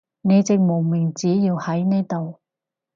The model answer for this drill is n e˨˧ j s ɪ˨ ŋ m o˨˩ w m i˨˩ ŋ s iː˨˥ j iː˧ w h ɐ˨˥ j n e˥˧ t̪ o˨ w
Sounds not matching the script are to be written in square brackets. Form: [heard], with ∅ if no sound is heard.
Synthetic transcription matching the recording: n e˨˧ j [t͡s] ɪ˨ ŋ m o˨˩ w m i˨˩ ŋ [t͡s] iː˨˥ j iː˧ w h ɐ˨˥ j n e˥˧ t̪ o˨ w